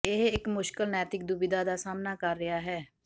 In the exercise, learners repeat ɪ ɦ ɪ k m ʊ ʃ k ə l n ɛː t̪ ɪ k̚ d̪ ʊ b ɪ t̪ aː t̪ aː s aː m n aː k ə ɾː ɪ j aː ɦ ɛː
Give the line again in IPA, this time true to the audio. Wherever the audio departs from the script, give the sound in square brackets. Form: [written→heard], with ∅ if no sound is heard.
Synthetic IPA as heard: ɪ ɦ ɪ k m ʊ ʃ k ə l n ɛː t̪ ɪ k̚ d̪ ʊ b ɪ [t̪→d̪] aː [t̪→d̪] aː s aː m n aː k ə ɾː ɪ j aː ɦ ɛː